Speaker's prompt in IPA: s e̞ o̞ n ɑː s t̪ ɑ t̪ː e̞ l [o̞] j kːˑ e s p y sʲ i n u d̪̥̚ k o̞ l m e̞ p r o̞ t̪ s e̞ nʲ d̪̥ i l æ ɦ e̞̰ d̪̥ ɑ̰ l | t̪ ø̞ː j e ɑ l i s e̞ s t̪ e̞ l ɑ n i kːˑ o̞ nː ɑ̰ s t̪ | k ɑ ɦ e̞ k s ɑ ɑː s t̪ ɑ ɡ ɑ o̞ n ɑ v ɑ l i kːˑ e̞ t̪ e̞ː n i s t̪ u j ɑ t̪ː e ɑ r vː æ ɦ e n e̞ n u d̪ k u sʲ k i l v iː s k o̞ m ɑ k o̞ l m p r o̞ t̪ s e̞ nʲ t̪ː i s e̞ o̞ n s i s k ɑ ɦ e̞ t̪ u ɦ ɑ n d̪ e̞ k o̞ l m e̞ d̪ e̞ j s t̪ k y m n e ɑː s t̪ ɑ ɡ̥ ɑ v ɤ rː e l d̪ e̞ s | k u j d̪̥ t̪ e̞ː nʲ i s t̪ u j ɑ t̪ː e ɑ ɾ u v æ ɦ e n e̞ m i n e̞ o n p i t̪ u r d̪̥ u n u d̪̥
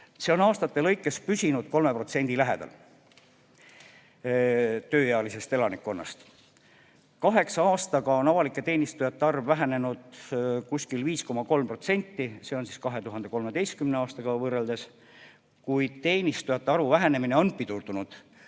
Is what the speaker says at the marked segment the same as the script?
no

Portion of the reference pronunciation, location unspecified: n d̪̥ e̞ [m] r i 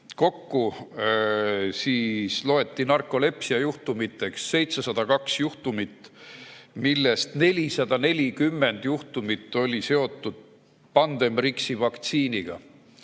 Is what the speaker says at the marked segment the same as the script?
yes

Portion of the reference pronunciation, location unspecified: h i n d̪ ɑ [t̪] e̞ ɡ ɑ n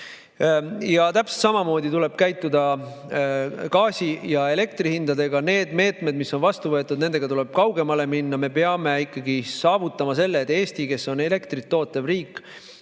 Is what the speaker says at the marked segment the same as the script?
no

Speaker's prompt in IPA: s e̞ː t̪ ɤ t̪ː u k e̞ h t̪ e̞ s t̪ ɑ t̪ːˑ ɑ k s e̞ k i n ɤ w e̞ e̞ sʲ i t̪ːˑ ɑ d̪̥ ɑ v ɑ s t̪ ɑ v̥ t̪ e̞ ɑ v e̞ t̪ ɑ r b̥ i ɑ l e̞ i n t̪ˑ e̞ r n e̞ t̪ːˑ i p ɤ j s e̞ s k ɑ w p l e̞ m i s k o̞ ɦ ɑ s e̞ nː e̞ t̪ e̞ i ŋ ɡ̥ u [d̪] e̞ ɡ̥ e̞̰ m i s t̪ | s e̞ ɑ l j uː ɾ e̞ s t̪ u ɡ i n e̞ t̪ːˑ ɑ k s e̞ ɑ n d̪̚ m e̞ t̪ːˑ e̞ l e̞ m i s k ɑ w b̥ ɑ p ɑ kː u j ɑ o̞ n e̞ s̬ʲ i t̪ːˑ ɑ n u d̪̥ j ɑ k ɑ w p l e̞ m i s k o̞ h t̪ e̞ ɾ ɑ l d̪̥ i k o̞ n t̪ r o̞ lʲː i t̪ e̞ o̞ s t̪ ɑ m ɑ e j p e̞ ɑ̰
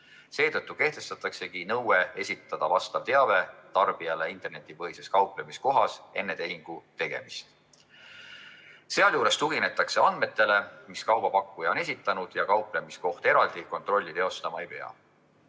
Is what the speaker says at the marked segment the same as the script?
no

